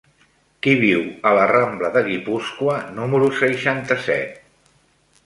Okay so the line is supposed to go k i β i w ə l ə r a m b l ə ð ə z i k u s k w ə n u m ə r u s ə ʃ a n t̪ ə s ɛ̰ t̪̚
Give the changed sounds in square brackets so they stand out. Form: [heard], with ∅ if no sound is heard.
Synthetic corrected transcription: k i β i w ə l ə r a m b l ə ð ə [ɣ] i [p] u s k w ə n u m ə [ɾ] u s ə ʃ a n t̪ ə s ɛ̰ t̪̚